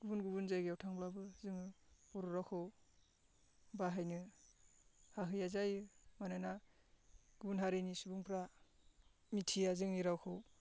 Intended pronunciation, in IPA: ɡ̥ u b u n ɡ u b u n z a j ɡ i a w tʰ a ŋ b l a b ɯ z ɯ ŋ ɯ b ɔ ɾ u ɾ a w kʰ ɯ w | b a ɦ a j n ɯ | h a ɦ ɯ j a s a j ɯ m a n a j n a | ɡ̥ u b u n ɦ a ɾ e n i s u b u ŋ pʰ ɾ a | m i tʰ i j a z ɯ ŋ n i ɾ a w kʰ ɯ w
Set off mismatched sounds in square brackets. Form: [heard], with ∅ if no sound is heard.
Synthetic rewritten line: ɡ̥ u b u n ɡ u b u n z a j ɡ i a w tʰ a ŋ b l a b ɯ z ɯ ŋ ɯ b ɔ ɾ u ɾ a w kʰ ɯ w | b a ɦ a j n ɯ | h a ɦ ɯ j a [z] a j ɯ m a n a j n a | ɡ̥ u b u n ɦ a ɾ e n i s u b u ŋ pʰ ɾ a | m i tʰ i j a z ɯ ŋ n i ɾ a w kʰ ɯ w